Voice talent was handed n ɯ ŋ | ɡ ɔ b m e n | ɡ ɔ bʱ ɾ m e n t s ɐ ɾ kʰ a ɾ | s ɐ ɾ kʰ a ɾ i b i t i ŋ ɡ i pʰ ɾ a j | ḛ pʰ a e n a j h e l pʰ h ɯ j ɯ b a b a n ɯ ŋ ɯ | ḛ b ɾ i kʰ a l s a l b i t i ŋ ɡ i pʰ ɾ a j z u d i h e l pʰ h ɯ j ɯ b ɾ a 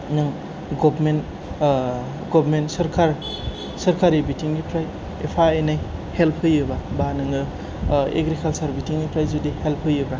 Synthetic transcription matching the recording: n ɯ ŋ | ɡ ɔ b m e n | ɡ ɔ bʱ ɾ m e n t s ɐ ɾ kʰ a ɾ | s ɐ ɾ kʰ a ɾ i b i t i ŋ ɡ i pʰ ɾ a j | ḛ pʰ a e n a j h e l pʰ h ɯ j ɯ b a b a n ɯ ŋ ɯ | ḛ ɡ ɾ i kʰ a l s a ɾ b i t i ŋ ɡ i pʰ ɾ a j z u d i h e l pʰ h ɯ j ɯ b ɾ a